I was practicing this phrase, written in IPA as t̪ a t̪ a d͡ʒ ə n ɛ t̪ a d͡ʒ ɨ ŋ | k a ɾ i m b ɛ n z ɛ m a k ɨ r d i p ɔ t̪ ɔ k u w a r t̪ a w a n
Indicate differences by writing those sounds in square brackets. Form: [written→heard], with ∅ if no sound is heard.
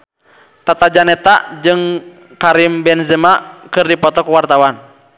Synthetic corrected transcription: t̪ a t̪ a d͡ʒ [ə→a] n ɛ t̪ a d͡ʒ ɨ ŋ | k a ɾ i m b ɛ n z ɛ m a k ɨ r d i p ɔ t̪ ɔ k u w a r t̪ a w a n

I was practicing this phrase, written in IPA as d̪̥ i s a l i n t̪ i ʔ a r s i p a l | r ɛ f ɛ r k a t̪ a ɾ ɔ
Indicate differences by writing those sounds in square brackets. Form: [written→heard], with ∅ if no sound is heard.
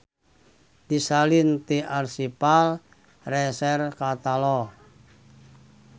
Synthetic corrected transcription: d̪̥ i s a l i n t̪ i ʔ a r s i p a l | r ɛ [f→s] ɛ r k a t̪ a [ɾ→l] ɔ

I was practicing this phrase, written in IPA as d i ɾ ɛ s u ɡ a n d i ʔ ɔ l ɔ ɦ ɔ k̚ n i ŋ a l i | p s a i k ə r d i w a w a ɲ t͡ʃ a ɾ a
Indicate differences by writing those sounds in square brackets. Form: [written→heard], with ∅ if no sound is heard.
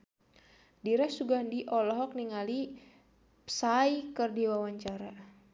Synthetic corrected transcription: d i ɾ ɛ s u ɡ a n d i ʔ ɔ l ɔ ɦ ɔ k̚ n i ŋ a l i | p s a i k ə r d i w a w a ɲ t͡ʃ a ɾ a

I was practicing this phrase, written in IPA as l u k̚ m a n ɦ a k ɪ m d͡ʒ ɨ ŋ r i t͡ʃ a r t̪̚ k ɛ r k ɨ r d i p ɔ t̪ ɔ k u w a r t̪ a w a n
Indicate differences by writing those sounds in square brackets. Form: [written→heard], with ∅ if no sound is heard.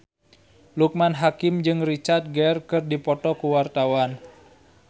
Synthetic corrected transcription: l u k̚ m a n ɦ a k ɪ m d͡ʒ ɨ ŋ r i t͡ʃ a r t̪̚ [k→ɡ] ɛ r k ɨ r d i p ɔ t̪ ɔ k u w a r t̪ a w a n

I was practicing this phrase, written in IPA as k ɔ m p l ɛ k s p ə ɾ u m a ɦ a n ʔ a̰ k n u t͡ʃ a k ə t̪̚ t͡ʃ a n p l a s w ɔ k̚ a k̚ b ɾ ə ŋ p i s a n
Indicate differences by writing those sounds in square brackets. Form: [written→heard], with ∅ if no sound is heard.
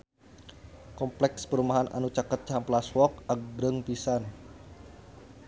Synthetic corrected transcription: k ɔ m p l ɛ k s p ə ɾ u m a ɦ a n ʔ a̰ [k→∅] n u t͡ʃ a k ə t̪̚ t͡ʃ a [n→m] p l a s w ɔ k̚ a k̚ b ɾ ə ŋ p i s a n

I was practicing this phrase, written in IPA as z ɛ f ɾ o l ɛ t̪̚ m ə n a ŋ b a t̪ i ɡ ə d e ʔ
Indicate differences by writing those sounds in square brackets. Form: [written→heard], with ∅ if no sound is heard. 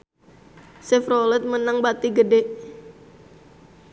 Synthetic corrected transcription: [z→s] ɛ f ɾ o l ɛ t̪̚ m ə n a ŋ b a t̪ i ɡ ə d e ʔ

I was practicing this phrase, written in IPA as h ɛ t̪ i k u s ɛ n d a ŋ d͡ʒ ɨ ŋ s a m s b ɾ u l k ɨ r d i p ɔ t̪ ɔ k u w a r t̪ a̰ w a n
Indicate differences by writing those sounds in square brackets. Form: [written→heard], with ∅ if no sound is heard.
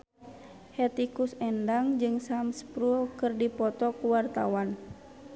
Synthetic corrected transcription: h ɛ t̪ i k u s ɛ n d a ŋ d͡ʒ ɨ ŋ s a m s [b→p] ɾ u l k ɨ r d i p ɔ t̪ ɔ k u w a r t̪ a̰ w a n

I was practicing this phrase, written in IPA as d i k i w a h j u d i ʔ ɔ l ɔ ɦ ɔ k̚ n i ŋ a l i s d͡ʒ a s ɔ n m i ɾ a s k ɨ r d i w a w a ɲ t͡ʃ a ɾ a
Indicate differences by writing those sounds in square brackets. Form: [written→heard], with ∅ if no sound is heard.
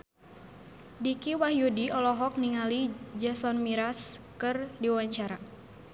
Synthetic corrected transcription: d i k i w a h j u d i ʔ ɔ l ɔ ɦ ɔ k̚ n i ŋ a l i [s→∅] d͡ʒ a s ɔ n m i ɾ a s k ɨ r d i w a w a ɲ t͡ʃ a ɾ a

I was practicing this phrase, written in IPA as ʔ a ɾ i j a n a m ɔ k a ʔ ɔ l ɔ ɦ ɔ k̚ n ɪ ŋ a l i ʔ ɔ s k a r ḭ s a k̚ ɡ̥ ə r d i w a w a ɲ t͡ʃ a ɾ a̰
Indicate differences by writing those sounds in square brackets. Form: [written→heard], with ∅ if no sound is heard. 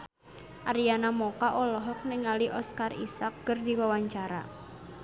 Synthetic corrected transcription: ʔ a ɾ i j a n a m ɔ k a ʔ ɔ l ɔ ɦ ɔ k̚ n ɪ ŋ a l i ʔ ɔ s k a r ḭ s a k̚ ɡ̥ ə r d i w a w a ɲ t͡ʃ a ɾ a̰

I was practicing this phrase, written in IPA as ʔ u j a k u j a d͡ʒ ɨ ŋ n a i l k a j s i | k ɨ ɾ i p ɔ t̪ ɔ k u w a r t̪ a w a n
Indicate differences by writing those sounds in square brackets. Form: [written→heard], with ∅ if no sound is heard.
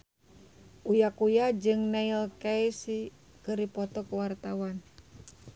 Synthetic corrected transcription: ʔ u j a k u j a d͡ʒ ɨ ŋ n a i l k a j s i | k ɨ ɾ i p ɔ t̪ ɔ k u w a r t̪ a w a n

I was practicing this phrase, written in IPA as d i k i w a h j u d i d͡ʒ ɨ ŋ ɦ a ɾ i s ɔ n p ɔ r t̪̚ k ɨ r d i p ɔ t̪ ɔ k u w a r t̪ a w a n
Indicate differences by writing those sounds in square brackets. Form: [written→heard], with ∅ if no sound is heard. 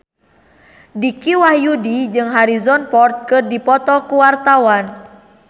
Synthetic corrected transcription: d i k i w a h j u d i d͡ʒ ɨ ŋ ɦ a ɾ i [s→z] ɔ n p ɔ r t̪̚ k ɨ r d i p ɔ t̪ ɔ k u w a r t̪ a w a n

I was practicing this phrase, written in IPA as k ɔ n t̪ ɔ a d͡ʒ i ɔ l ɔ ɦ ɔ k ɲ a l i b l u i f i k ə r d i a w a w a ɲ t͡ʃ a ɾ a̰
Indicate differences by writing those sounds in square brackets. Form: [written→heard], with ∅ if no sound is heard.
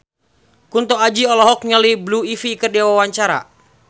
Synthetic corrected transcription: k [ɔ→u] n t̪ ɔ a d͡ʒ i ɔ l ɔ ɦ ɔ k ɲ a l i b l u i f i k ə r d i a w a w a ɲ t͡ʃ a ɾ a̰

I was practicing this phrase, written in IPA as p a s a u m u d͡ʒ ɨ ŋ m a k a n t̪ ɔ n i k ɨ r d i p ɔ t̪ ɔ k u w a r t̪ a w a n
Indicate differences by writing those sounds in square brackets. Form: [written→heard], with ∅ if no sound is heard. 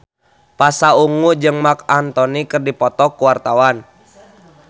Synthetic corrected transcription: p a s a u [m→ŋ] u d͡ʒ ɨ ŋ m a k a n t̪ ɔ n i k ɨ r d i p ɔ t̪ ɔ k u w a r t̪ a w a n

